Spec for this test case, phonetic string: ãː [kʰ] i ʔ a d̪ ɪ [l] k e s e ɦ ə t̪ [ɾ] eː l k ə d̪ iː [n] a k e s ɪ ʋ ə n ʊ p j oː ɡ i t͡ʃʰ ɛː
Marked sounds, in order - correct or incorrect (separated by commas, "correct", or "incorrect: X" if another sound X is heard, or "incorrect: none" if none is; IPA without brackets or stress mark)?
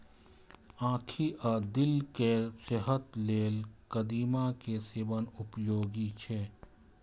correct, correct, incorrect: l, incorrect: m